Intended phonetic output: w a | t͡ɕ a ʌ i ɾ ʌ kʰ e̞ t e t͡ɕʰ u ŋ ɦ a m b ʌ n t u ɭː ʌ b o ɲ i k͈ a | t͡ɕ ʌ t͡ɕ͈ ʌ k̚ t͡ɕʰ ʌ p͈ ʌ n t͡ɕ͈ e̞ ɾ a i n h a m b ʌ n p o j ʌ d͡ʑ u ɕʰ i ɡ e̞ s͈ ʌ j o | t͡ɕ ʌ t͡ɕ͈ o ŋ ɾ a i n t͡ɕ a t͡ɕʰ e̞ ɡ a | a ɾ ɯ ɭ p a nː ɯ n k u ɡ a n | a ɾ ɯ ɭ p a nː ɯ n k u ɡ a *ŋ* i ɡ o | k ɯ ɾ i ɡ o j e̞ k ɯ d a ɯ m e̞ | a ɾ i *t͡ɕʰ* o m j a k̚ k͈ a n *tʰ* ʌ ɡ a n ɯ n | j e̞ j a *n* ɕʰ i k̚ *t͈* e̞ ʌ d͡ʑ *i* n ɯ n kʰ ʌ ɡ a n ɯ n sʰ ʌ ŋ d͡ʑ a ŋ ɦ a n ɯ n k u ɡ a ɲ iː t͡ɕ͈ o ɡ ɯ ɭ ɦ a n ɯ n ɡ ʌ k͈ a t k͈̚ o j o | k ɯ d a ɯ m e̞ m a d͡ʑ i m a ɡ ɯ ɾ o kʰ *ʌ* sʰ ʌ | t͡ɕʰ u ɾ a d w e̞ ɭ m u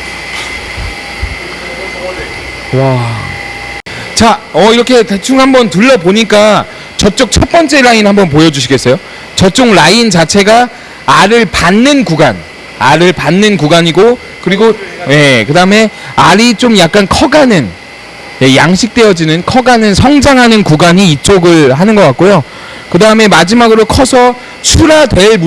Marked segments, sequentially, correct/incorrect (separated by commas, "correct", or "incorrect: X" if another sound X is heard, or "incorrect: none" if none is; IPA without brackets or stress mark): incorrect: ɲ, incorrect: t͡ɕ, incorrect: kʰ, incorrect: ŋ, correct, correct, correct